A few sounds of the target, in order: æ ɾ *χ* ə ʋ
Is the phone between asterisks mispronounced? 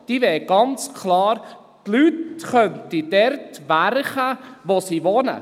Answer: no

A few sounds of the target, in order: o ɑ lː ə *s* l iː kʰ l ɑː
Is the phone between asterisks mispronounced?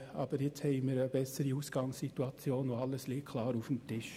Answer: no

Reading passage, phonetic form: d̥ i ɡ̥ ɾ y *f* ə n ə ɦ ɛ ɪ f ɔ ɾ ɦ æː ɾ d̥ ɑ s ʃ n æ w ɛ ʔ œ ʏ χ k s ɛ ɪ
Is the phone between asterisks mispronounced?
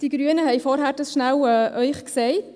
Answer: yes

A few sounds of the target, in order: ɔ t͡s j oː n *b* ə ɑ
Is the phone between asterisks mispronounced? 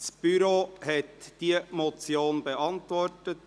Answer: no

